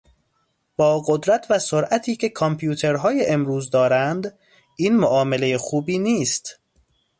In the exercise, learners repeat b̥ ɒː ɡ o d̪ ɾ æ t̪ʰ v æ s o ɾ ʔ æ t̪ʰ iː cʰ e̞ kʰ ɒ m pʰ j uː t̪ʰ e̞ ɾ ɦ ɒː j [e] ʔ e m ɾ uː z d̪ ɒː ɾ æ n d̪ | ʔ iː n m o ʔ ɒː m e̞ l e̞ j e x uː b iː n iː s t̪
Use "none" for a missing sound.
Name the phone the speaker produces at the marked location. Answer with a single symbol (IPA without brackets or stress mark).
e